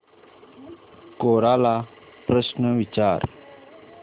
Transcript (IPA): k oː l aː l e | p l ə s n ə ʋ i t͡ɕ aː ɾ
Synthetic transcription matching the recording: k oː ɾ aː l a | p ɾ ə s n ə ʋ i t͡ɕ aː ɾ

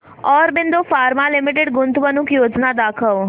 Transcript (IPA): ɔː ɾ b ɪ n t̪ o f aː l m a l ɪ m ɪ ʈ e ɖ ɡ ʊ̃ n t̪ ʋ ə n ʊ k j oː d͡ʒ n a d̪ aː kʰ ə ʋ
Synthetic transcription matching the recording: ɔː ɾ b ɪ n d̪ o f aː ɾ m a l ɪ m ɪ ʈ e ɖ ɡ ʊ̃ n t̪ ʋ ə n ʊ k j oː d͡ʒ n a d̪ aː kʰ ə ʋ

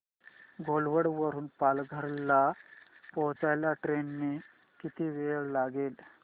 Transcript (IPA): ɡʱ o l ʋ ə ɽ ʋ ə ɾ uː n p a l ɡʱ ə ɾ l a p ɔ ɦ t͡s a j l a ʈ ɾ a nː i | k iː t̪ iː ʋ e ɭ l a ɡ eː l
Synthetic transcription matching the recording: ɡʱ o l ʋ ə ɽ ʋ ə ɾ uː n p a l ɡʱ ə ɾ l a p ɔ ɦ t͡s a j l a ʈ ɾ e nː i | k i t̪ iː ʋ e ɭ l a ɡ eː l

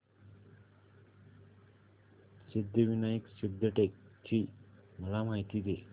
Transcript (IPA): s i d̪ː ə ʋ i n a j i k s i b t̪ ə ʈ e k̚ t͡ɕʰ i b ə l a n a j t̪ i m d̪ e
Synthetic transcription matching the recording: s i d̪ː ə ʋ i n a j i k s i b d̪ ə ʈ e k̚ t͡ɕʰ i m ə l a m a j t̪ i d̪ e

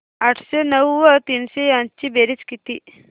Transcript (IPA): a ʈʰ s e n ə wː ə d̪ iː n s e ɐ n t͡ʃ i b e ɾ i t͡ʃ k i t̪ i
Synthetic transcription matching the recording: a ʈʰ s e n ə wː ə t̪ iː n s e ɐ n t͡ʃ i b e ɾ i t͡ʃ k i t̪ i

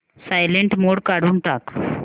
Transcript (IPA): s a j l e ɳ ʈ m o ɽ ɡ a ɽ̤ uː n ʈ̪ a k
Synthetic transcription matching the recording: s a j l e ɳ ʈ m o ɽ k a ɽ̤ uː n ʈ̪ a k

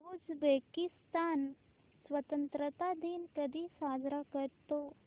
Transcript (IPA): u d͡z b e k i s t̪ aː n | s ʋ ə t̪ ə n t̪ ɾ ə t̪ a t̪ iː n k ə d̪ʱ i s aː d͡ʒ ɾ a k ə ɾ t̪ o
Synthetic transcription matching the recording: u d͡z b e k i s t̪ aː n | s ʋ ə t̪ ə n t̪ ɾ ə t̪ a d̪ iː n k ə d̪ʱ i s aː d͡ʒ ɾ a k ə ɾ t̪ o

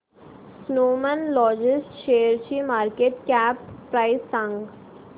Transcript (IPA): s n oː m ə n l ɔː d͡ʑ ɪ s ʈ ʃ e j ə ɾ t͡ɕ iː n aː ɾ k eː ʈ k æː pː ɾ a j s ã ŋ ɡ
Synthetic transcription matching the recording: s n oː m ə n l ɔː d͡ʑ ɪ s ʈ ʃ e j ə ɾ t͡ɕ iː m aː ɾ k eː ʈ k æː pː ɾ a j s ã ŋ ɡ

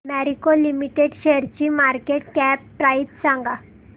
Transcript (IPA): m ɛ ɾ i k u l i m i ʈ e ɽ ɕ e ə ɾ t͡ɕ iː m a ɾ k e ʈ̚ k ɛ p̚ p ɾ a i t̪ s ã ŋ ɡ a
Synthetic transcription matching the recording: m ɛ ɾ i k o l i m i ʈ e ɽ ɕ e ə ɾ t͡ɕ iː m a ɾ k e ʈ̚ k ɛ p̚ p ɾ a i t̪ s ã ŋ ɡ a

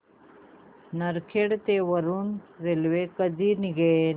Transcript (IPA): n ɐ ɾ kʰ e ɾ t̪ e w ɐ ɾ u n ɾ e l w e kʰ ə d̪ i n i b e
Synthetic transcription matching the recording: n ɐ ɾ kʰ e ɽ t̪ e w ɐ ɾ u n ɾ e l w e k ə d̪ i n i ɡ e

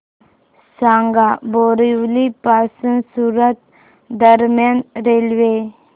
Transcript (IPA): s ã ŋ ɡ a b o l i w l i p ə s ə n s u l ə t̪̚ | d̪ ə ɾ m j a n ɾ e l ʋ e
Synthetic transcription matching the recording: s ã ŋ ɡ a b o ɾ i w l i p a s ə n s u ɾ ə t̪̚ | d̪ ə ɾ m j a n ɾ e l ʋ e

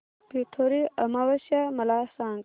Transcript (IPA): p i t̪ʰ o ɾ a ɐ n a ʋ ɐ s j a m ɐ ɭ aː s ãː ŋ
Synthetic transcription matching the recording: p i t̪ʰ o ɾ i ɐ m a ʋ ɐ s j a m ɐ l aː s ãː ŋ

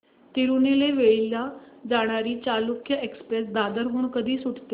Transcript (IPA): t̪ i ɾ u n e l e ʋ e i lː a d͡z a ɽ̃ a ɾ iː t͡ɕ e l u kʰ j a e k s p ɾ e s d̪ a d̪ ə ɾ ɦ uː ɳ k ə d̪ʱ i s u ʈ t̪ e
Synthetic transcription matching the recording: t̪ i ɾ u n e l e ʋ e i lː a d͡z a ɽ̃ a ɾ iː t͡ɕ a l u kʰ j ə e k s p ɾ e s d̪ a d̪ ə ɾ ɦ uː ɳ k ə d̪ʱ iː s u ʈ t̪ e

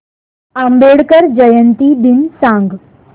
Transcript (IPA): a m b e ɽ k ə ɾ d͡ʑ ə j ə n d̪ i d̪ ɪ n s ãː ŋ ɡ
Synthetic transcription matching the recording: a m b e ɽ k ə ɾ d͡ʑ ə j ə n t̪ i d̪ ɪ n s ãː ŋ ɡ

